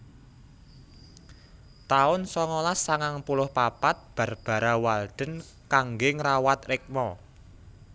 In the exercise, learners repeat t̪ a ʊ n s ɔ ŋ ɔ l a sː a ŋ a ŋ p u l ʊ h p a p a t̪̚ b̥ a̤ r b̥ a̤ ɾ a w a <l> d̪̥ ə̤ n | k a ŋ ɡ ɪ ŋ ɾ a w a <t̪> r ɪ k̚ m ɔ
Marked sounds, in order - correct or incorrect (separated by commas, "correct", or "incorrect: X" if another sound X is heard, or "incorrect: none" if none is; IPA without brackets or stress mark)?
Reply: correct, correct